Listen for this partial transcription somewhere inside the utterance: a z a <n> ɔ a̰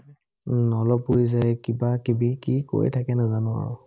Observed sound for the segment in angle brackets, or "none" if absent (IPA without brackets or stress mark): n